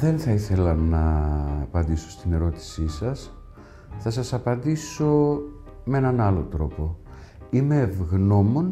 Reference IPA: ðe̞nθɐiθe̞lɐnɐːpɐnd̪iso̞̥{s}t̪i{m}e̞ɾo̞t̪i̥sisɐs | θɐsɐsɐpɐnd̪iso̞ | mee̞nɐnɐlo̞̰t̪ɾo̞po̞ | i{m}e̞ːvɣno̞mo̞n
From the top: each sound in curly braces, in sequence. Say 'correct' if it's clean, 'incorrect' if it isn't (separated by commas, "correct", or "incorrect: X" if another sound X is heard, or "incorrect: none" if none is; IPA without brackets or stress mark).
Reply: correct, incorrect: n, correct